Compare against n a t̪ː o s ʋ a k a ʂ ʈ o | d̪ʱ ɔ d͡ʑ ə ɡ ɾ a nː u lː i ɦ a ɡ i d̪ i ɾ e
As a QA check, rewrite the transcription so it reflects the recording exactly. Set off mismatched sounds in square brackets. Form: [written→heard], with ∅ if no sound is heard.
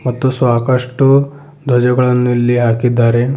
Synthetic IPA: [n→m] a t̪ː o s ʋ a k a ʂ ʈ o | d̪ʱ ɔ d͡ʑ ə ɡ [ɾ→ɭ] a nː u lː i ɦ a [ɡ→k] i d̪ [i→a] ɾ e